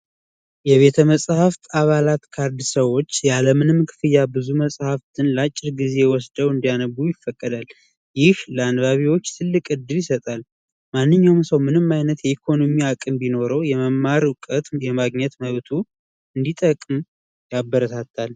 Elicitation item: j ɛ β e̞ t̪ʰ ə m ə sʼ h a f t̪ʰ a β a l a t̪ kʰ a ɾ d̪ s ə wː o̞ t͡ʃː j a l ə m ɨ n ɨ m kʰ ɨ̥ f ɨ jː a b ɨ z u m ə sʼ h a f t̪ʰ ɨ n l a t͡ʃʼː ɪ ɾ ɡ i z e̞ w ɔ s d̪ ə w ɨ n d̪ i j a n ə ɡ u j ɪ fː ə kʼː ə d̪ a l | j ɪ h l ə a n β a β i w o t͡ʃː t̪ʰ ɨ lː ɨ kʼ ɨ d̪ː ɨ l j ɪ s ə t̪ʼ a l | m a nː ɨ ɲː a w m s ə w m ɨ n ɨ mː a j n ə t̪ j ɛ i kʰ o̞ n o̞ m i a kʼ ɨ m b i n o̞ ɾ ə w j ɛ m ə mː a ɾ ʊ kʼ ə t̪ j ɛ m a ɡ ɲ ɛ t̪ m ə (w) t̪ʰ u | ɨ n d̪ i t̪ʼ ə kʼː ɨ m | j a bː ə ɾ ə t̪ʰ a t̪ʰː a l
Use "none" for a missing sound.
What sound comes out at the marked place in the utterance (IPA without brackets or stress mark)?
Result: β